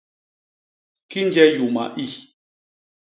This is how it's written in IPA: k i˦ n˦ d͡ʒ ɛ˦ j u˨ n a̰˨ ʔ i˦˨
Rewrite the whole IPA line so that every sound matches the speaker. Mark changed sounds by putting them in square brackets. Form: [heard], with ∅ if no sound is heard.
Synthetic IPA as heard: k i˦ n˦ d͡ʒ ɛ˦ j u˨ [m] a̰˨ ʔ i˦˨